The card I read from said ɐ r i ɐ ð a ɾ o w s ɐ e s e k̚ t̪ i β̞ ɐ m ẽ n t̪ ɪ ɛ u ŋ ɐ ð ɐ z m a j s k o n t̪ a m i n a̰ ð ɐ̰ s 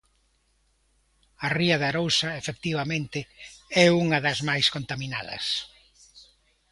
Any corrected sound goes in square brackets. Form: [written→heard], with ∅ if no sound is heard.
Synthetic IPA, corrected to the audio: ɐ r i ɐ ð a ɾ o w s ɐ e [s→f] e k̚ t̪ i β̞ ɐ m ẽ n t̪ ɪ ɛ u ŋ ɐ ð ɐ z m a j s k o n t̪ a m i n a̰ ð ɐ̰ s